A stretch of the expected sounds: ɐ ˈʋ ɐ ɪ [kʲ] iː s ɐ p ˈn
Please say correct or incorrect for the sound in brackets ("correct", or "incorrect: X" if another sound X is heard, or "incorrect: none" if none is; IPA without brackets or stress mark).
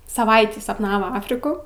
incorrect: tʲ